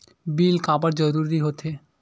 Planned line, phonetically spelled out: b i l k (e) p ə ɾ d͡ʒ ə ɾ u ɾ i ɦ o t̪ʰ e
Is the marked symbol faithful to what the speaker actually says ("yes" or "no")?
no